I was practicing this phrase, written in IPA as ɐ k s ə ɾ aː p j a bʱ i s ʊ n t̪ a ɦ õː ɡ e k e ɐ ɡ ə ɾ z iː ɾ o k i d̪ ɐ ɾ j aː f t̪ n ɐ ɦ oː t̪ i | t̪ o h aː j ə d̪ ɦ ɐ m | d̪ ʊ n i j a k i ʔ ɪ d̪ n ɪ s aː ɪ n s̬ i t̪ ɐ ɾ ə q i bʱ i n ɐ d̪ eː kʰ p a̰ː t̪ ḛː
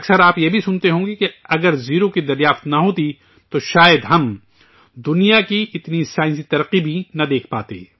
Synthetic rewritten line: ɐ k s ə ɾ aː p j e bʱ i s ʊ n t̪ e ɦ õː ɡ e k e ɐ ɡ ə ɾ z iː ɾ o k i d̪ ɐ ɾ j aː f t̪ n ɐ ɦ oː t̪ i | t̪ o ʃ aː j ə d̪ ɦ ɐ m | d̪ ʊ n i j a k i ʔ ɪ t̪ n i s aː ɪ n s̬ i t̪ ɐ ɾ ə q i bʱ i n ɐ d̪ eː kʰ p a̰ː t̪ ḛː